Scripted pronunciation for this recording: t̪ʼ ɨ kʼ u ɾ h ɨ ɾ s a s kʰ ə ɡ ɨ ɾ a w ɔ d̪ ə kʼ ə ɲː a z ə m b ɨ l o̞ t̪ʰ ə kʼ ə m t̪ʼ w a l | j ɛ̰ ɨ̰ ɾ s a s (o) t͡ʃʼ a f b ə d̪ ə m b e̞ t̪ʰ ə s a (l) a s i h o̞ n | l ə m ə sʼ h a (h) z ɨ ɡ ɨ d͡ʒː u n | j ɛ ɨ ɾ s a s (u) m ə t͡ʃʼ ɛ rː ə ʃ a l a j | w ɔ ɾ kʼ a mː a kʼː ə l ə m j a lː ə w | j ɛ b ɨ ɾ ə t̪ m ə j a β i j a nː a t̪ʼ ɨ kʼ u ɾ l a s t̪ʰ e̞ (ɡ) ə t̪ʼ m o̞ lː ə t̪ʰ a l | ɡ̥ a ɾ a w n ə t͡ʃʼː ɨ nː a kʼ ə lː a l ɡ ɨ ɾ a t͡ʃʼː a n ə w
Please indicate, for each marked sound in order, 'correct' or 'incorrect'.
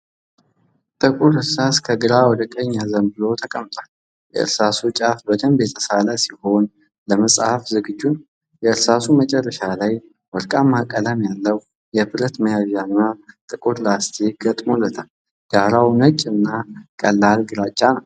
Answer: incorrect, correct, incorrect, correct, correct

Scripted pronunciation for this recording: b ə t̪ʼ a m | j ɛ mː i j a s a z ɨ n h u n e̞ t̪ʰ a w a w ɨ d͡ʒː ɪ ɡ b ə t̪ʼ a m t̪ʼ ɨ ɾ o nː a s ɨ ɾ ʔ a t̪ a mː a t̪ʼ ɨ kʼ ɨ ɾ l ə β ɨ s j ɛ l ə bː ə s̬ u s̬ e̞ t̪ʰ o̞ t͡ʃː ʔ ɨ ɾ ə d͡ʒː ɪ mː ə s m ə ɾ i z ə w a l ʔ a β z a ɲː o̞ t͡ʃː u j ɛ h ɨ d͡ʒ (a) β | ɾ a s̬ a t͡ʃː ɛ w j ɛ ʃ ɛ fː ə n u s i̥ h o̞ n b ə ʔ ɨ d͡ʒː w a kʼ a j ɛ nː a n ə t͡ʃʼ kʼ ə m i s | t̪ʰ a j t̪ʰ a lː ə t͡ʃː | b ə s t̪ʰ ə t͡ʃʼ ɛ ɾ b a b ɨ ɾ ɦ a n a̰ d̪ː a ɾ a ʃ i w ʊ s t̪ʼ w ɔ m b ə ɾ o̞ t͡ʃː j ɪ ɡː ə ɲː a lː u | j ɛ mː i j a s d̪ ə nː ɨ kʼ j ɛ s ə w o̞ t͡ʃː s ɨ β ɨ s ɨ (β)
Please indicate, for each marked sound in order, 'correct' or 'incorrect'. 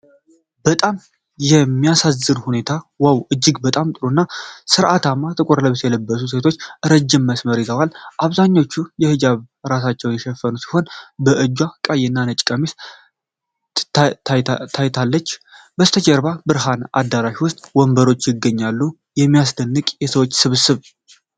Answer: correct, correct

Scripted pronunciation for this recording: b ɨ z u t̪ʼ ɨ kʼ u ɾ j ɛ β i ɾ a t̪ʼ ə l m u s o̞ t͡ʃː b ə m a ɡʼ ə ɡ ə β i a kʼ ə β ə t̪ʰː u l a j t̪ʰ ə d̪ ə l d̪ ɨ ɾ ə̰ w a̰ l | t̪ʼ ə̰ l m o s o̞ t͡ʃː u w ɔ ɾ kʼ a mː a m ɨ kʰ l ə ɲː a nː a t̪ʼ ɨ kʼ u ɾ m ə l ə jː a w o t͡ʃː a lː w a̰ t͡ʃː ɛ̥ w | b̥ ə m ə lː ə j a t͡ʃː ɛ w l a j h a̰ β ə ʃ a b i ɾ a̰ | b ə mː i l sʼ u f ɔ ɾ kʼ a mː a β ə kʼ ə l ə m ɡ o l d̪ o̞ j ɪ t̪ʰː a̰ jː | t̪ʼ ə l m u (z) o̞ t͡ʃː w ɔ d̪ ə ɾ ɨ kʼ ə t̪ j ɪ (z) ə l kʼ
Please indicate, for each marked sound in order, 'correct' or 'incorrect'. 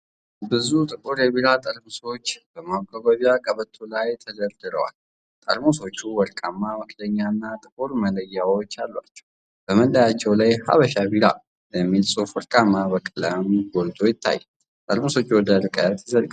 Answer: incorrect, correct

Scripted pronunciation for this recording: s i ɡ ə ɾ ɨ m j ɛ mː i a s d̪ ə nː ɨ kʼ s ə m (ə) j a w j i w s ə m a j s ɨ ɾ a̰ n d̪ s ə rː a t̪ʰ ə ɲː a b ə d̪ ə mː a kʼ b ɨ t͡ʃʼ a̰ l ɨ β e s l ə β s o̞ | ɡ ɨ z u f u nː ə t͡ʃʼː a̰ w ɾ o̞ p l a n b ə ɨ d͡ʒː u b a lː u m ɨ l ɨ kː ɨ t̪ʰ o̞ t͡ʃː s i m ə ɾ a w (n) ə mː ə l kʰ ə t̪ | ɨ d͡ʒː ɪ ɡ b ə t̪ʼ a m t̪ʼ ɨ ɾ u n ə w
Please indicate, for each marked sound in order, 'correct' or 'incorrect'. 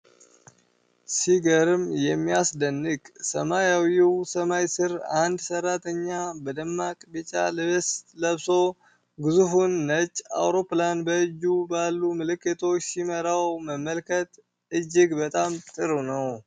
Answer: incorrect, incorrect

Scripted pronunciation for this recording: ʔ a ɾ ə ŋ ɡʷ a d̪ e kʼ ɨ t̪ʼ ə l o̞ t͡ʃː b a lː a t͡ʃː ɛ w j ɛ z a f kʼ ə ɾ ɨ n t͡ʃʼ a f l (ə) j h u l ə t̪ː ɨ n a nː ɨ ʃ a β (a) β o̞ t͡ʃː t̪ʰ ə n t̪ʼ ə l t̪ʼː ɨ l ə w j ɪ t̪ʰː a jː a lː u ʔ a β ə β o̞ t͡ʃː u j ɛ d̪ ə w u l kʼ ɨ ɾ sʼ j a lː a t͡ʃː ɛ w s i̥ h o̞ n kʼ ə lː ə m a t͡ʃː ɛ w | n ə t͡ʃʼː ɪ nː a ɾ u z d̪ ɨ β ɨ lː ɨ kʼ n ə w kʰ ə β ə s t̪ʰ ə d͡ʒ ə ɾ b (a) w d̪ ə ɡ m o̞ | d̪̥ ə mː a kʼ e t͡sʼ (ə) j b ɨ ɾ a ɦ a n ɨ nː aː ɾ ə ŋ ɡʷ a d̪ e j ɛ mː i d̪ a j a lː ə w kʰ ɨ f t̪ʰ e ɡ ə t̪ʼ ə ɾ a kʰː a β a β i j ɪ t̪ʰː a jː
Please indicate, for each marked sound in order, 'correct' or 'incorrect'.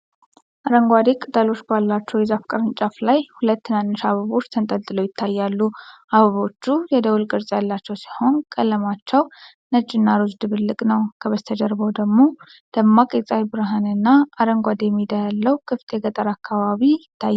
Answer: incorrect, incorrect, incorrect, incorrect

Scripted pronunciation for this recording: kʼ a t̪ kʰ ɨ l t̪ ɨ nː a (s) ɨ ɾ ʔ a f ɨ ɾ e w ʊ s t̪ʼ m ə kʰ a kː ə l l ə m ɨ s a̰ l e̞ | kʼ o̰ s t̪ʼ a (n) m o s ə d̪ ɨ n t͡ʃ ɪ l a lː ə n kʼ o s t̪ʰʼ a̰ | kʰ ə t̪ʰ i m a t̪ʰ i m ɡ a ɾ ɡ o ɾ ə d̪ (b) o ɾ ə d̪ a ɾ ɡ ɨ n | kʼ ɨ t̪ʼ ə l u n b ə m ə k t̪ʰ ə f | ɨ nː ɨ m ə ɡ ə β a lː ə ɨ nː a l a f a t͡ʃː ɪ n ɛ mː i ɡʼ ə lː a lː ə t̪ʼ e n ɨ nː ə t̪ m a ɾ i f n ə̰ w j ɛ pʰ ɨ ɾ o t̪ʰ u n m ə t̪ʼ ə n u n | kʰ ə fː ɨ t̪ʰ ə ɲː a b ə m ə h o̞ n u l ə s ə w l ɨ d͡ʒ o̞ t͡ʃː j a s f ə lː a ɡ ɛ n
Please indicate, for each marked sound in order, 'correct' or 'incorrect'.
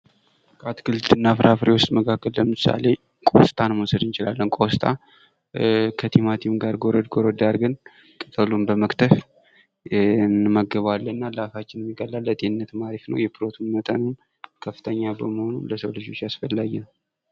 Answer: incorrect, correct, incorrect

